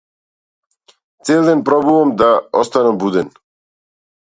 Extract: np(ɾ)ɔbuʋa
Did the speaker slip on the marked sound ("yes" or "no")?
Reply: no